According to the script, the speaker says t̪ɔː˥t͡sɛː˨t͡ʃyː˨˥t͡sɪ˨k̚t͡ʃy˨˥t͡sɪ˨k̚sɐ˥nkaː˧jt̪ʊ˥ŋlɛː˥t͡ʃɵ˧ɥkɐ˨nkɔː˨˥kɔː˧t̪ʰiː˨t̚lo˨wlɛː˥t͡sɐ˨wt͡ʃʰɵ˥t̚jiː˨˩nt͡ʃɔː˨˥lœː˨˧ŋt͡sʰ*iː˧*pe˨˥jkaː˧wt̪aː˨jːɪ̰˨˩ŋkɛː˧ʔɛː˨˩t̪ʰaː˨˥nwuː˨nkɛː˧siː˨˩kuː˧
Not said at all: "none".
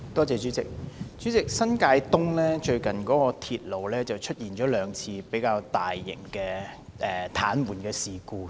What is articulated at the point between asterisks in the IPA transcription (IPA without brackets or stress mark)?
iː˧